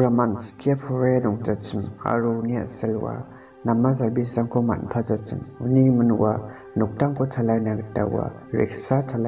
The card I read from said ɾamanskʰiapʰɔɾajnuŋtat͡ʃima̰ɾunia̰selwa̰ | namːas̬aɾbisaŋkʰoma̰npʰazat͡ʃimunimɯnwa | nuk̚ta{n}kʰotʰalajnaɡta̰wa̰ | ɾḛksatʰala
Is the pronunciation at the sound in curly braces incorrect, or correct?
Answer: incorrect